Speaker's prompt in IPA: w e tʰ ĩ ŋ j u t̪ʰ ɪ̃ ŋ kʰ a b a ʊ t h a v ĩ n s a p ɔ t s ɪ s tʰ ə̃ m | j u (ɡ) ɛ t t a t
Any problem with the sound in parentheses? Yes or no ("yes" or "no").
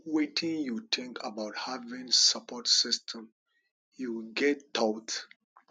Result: no